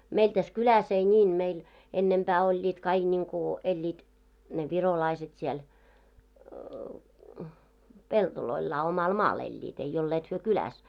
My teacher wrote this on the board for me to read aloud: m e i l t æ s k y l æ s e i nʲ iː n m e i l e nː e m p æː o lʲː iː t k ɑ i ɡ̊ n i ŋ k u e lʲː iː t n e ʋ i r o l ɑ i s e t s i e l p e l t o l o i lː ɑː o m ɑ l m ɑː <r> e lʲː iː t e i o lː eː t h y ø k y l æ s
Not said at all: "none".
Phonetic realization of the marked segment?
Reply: l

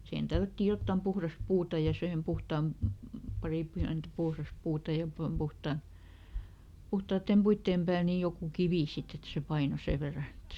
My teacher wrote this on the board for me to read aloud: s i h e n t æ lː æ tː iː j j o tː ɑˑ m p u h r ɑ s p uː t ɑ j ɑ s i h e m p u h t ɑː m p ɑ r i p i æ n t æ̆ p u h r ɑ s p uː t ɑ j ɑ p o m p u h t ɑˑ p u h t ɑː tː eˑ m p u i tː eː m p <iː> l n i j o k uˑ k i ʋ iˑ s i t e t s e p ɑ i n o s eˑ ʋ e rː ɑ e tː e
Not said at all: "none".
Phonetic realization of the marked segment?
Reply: æː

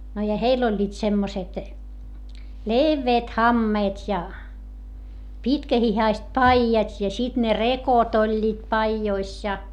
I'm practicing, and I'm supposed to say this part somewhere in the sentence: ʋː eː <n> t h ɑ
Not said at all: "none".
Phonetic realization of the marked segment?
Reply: none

